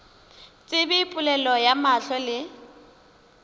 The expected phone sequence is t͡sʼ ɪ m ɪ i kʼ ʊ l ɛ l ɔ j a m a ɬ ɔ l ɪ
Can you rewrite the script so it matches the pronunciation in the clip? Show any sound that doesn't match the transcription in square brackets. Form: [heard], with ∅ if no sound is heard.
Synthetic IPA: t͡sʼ ɪ [b] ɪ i [pʼ] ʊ l ɛ l ɔ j a m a ɬ ɔ l ɪ